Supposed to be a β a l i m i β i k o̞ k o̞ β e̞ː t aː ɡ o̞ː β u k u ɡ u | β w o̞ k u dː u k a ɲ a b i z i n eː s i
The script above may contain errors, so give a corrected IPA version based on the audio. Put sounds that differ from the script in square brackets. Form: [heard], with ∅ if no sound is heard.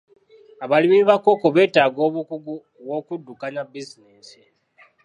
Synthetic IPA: a β a l i m i β [a] k o̞ k o̞ β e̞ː t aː ɡ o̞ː β u k u ɡ u | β w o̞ k u dː u k a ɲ a b i z i n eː s i